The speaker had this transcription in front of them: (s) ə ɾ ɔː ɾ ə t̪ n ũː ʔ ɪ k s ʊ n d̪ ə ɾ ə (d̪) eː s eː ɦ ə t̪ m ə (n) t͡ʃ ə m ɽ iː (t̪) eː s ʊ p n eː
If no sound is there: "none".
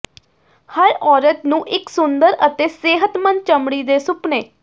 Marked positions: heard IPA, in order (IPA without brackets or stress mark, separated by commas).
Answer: h, t̪, n, d̪